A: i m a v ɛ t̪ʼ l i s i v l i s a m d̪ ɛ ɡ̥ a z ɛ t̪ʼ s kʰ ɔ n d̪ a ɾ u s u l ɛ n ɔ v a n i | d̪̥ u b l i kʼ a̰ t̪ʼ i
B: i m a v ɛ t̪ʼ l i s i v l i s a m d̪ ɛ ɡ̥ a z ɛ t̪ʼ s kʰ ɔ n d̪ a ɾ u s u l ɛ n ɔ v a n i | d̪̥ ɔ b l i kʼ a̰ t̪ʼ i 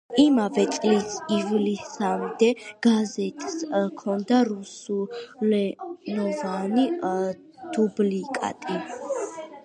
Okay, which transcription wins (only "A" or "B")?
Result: A